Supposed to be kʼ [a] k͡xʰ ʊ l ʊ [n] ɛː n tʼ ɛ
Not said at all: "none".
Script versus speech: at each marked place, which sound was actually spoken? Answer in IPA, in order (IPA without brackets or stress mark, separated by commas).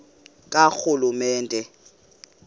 a, m